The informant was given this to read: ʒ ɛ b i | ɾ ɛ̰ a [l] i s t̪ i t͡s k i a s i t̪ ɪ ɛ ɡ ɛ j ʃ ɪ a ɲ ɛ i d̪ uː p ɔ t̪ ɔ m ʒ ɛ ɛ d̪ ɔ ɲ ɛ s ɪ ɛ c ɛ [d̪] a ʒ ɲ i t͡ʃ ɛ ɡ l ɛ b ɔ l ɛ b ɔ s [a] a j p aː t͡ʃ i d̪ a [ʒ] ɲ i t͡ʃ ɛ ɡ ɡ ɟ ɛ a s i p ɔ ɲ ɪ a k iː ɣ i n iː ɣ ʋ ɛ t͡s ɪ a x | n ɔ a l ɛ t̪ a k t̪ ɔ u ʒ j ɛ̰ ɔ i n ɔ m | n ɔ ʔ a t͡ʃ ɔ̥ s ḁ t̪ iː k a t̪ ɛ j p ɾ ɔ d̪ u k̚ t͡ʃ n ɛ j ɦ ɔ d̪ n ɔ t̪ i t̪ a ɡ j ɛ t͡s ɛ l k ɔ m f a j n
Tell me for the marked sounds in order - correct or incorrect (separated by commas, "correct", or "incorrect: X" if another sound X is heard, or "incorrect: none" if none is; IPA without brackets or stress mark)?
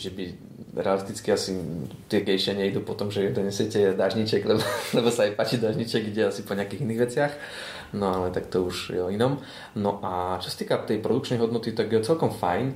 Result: correct, correct, correct, correct